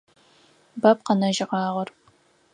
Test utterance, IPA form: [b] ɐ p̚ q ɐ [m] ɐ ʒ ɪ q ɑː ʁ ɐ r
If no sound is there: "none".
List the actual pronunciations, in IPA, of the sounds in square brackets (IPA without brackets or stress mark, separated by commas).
b, n